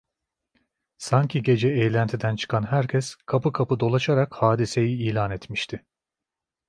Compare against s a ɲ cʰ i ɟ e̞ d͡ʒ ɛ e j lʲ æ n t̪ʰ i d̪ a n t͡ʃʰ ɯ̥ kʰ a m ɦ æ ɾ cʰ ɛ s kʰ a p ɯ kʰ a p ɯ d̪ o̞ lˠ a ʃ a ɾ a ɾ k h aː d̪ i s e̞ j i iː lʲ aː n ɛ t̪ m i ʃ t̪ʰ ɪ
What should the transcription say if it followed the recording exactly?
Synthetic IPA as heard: s a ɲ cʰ i ɟ e̞ d͡ʒ ɛ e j lʲ æ n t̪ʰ i d̪ æ n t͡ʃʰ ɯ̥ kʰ a n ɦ æ ɾ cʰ ɛ s kʰ a p ɯ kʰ a p ɯ d̪ o̞ lˠ a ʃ a ɾ a k h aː d̪ i s e̞ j i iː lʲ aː n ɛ t̪ m i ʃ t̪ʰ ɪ